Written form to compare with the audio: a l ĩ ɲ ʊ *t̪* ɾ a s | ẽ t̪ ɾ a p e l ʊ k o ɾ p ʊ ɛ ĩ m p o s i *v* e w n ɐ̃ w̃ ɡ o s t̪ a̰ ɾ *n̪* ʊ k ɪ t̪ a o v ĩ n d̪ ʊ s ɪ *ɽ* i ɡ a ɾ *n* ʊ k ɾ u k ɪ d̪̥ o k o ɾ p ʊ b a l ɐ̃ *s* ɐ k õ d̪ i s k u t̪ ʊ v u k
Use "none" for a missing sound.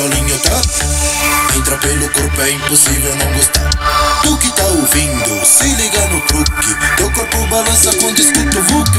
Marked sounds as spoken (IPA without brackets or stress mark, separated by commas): t̪, v, d̪, l, n, s